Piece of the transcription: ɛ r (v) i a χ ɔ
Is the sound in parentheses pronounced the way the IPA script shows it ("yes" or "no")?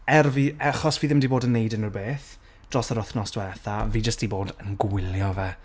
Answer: yes